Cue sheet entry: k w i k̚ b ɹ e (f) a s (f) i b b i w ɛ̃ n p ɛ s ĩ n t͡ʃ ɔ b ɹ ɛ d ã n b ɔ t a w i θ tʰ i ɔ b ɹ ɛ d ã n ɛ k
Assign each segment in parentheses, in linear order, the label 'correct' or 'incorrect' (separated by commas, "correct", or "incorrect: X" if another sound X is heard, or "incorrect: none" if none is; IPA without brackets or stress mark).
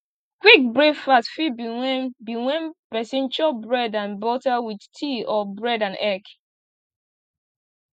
correct, correct